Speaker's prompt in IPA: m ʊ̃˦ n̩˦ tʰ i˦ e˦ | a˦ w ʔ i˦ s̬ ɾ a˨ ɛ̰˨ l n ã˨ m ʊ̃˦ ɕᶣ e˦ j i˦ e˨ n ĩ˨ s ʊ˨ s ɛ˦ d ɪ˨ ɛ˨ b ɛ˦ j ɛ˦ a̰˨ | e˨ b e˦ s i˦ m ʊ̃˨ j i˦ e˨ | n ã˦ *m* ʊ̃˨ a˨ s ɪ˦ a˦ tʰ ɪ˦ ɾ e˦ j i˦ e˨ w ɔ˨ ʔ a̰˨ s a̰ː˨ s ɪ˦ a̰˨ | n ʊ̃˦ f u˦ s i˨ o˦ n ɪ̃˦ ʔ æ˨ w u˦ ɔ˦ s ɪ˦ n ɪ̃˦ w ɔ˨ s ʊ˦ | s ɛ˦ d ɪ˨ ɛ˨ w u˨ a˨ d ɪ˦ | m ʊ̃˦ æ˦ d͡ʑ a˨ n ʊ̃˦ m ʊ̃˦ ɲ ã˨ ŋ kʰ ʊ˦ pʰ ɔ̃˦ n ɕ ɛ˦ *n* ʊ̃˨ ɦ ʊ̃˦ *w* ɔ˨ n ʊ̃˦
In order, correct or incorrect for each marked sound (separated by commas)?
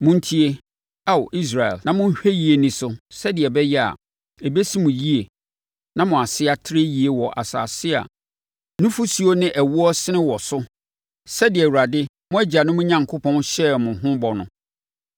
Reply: correct, incorrect, incorrect